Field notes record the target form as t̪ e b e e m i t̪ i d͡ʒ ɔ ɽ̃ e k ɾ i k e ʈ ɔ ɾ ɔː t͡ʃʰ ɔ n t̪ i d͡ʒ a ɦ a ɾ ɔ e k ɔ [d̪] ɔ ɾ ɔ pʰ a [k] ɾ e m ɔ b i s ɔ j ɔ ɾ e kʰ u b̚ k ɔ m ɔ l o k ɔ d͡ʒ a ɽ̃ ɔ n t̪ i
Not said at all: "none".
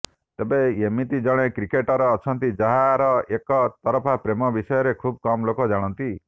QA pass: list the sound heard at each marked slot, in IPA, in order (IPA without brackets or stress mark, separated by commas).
t̪, p